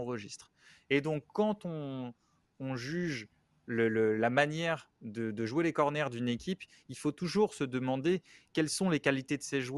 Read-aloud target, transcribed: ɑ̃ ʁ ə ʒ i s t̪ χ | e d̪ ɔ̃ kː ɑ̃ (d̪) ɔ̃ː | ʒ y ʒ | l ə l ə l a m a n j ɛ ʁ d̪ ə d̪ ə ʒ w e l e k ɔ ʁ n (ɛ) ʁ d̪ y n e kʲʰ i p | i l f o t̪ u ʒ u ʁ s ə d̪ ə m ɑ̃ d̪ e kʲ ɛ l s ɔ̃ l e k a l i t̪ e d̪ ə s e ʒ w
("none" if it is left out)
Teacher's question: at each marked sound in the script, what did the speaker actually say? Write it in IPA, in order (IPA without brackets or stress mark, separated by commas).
t̪, ɛ